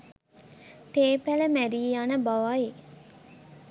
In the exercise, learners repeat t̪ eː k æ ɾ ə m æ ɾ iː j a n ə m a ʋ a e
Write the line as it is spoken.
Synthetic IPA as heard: t̪ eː p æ l ə m æ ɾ iː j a n ə b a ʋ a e